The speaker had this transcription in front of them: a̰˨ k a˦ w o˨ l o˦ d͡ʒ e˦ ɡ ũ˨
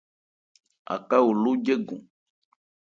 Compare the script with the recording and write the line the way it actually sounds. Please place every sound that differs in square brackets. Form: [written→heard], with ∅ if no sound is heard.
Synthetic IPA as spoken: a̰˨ k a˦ w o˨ l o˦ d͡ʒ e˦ ɡ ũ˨